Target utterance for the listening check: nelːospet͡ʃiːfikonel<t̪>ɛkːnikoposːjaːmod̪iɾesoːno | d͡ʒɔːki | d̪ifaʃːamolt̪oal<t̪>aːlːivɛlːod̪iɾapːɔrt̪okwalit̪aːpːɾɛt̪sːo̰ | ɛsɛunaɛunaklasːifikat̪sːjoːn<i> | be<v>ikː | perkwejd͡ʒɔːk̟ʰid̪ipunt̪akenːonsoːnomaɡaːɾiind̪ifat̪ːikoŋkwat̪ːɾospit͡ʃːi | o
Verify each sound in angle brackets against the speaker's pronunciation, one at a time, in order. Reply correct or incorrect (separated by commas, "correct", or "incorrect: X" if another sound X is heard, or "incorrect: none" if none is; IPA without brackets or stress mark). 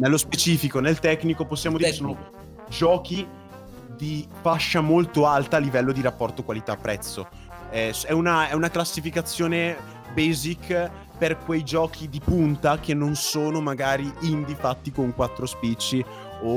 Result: correct, correct, incorrect: e, incorrect: z